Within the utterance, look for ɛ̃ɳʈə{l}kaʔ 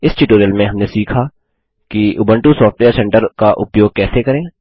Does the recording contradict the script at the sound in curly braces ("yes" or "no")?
yes